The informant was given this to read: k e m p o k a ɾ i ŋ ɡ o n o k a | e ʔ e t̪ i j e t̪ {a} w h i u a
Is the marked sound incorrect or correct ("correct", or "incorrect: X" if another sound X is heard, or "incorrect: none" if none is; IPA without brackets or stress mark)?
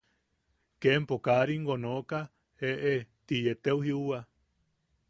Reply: incorrect: e